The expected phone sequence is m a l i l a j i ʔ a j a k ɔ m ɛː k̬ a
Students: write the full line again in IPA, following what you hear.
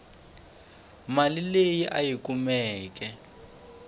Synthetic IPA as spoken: m a l i l e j i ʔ a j i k u m ɛː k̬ ɛ